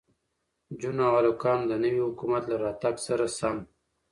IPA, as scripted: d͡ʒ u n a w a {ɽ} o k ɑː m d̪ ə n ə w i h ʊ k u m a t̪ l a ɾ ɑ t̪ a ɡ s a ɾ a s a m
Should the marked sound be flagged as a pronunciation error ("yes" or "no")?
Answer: yes